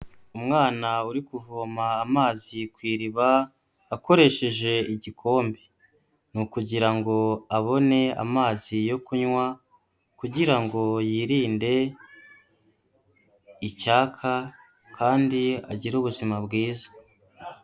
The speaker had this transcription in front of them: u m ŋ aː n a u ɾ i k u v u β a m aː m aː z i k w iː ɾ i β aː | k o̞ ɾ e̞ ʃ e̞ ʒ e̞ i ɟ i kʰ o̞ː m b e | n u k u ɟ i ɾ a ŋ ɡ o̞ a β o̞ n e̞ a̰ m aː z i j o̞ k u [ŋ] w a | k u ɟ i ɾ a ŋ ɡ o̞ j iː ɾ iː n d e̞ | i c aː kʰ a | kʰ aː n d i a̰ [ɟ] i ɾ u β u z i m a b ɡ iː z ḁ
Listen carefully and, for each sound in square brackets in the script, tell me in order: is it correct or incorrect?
incorrect: ɲ, correct

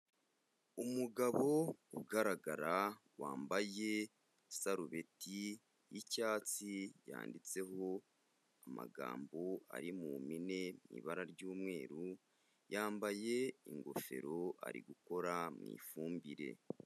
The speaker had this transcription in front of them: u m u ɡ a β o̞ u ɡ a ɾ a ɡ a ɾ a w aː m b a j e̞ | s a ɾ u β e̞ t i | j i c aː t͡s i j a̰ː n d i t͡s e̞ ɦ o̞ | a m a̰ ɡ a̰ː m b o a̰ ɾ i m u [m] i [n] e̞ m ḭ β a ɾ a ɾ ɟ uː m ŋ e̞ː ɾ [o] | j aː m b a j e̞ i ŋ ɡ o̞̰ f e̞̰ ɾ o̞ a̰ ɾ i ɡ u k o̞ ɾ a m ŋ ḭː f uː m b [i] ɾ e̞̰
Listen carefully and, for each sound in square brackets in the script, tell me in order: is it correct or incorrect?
correct, correct, incorrect: u, correct

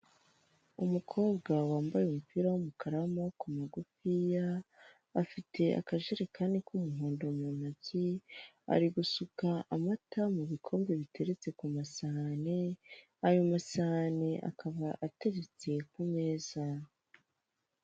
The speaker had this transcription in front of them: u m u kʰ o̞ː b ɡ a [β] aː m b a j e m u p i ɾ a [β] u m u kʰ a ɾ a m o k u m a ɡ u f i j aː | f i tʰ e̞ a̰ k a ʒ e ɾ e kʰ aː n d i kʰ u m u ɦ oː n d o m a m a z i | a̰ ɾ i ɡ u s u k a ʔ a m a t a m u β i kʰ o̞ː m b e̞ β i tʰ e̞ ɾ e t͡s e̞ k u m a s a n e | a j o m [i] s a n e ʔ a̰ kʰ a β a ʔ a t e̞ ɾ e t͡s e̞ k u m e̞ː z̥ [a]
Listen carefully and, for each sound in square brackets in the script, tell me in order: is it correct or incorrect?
incorrect: w, incorrect: w, incorrect: a, correct

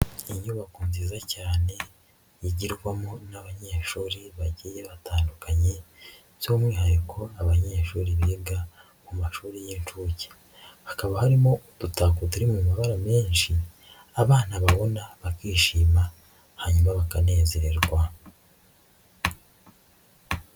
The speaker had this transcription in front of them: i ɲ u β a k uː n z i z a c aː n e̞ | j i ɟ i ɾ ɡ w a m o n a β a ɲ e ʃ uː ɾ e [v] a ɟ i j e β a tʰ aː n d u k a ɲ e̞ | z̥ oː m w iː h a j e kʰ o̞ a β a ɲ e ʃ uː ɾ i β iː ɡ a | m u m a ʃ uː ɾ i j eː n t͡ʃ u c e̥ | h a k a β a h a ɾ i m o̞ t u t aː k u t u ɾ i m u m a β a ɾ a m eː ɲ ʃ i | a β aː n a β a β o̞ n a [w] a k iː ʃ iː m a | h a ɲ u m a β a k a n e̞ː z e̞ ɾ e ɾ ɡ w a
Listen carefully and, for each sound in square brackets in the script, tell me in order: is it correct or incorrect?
incorrect: β, incorrect: β

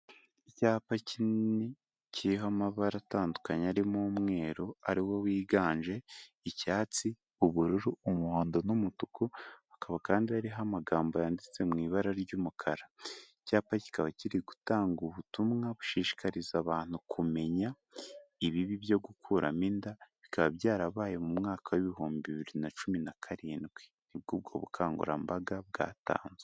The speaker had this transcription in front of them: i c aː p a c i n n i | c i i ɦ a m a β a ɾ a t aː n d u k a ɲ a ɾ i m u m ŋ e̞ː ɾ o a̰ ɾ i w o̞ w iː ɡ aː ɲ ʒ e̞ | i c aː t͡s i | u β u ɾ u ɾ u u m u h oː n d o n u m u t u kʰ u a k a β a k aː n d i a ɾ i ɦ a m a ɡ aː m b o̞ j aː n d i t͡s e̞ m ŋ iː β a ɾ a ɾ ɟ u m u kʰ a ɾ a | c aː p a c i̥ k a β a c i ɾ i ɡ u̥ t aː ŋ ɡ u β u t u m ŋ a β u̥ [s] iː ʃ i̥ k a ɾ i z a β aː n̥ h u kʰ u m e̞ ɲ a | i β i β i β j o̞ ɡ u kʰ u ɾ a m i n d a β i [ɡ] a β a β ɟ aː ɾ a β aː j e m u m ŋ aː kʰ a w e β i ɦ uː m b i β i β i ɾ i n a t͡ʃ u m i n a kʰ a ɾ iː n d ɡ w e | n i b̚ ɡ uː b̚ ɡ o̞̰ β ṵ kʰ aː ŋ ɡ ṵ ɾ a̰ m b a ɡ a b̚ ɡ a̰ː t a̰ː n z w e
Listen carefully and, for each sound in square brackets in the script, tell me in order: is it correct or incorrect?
incorrect: ʃ, incorrect: k

